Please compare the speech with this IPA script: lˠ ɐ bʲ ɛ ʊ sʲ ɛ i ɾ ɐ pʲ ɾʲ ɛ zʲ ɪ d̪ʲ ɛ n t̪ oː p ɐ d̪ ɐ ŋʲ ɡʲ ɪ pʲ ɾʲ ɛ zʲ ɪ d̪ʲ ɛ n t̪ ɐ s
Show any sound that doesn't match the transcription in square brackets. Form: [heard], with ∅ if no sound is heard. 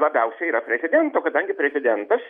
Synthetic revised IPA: lˠ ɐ bʲ ɛ ʊ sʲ ɛ i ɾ ɐ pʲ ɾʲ ɛ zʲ ɪ d̪ʲ ɛ n t̪ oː [k] ɐ d̪ ɐ ŋʲ ɡʲ ɪ pʲ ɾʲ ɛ zʲ ɪ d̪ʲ ɛ n t̪ ɐ s